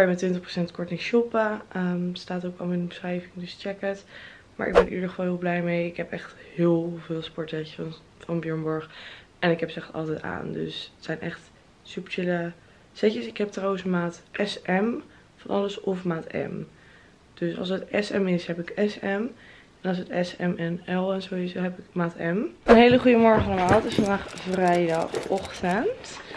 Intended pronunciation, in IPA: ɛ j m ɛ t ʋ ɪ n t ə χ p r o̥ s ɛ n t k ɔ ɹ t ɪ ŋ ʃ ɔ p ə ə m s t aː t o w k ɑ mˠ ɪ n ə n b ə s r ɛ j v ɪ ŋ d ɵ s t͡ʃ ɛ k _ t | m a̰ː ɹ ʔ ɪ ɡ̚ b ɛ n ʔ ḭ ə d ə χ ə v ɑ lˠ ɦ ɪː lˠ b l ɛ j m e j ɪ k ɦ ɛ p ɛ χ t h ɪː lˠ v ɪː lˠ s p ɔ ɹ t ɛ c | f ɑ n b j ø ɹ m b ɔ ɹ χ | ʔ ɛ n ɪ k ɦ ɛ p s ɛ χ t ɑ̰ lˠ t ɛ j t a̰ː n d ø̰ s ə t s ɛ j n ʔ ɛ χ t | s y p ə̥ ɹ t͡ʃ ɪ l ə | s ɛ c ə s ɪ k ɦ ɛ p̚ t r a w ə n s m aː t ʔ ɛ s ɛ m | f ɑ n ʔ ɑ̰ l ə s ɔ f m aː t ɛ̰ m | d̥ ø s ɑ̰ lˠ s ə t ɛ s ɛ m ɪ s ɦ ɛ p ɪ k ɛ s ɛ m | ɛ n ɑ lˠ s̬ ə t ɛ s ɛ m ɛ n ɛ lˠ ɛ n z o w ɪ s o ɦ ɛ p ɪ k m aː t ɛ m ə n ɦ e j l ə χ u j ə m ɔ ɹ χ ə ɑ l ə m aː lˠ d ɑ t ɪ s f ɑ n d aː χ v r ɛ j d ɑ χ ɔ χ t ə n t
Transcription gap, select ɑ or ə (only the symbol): ə